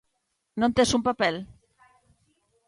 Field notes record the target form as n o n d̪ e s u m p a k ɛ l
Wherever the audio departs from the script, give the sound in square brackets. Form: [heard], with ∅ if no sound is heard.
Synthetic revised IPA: n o n [t̪] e s u m p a [p] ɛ l